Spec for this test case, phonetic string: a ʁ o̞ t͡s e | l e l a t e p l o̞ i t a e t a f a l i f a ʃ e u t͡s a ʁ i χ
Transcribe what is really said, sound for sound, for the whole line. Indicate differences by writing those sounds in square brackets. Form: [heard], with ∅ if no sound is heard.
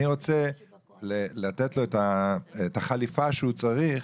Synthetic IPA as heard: [i] ʁ o̞ t͡s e | l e l a t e [t] l o̞ [e] t a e t a [χ] a l i f a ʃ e u t͡s a ʁ i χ